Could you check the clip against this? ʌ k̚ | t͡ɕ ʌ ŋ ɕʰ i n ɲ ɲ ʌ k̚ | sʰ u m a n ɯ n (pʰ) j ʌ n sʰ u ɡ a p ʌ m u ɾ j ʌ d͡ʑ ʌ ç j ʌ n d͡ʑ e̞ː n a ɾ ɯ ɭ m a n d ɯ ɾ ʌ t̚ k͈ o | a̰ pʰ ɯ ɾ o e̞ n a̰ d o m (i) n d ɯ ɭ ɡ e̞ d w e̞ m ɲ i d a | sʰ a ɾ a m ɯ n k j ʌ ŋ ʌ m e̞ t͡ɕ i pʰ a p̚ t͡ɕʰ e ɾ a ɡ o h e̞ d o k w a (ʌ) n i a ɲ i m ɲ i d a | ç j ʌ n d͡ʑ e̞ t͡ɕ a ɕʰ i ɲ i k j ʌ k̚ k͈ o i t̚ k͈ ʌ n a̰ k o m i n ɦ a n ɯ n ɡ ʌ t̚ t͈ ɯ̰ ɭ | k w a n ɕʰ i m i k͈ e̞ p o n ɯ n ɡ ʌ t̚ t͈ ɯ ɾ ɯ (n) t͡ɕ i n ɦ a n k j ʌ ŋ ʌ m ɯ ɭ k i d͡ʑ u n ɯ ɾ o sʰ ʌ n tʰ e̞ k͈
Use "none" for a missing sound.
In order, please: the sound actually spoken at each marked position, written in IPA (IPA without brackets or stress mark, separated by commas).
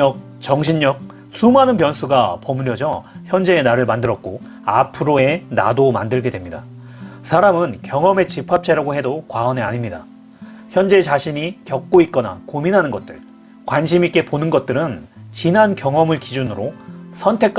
p, a, ʌ, n